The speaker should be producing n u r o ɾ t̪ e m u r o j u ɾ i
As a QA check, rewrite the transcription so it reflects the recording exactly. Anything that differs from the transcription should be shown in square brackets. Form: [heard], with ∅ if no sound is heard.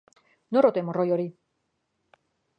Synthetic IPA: n [o] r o [∅] t̪ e m [o] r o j [o] ɾ i